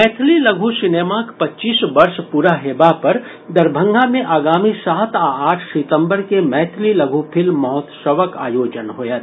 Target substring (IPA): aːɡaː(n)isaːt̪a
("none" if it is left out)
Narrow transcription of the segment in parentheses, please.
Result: m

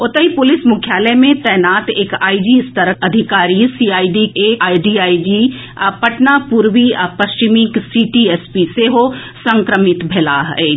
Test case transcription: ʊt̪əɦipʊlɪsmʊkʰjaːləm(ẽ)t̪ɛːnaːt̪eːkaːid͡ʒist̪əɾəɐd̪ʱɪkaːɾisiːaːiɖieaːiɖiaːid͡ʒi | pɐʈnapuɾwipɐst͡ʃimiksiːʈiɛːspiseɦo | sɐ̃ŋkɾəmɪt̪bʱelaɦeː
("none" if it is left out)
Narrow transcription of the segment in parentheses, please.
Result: ẽ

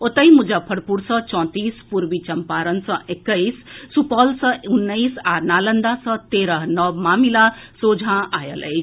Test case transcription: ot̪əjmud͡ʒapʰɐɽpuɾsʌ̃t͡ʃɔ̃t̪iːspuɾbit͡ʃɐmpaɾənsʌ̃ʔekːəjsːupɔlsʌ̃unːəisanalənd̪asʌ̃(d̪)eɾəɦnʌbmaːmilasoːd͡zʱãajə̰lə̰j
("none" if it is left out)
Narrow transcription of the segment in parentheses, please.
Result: t̪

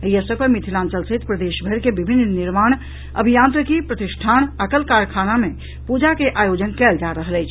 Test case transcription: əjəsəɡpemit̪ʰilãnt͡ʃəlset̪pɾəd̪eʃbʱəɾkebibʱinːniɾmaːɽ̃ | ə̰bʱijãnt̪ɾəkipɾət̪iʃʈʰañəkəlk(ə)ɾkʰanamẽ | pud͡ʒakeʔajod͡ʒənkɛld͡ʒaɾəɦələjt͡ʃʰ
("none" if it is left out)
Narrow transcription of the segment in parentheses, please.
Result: a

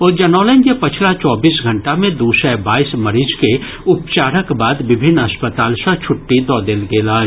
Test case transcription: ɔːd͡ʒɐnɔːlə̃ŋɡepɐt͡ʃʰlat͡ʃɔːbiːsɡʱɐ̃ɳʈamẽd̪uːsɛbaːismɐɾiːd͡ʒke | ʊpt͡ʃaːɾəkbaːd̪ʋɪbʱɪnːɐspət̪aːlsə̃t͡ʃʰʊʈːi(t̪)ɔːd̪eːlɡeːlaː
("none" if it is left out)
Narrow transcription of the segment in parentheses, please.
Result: d̪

